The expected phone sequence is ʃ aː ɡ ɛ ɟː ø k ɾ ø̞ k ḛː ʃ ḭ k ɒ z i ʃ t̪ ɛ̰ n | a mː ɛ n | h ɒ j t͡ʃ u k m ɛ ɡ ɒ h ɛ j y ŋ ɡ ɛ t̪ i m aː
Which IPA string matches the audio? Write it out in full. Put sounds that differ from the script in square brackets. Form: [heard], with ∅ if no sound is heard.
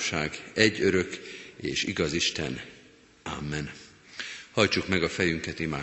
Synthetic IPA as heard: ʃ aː ɡ ɛ ɟː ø [∅] ɾ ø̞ k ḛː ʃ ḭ [ɡ] ɒ z i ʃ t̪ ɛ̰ n | a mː ɛ n | h ɒ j t͡ʃ u k m ɛ ɡ ɒ [f] ɛ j y ŋ [k] ɛ t̪ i m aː